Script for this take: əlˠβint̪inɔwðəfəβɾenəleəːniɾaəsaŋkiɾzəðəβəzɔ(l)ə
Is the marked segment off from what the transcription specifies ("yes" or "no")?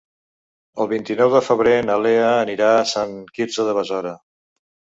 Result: yes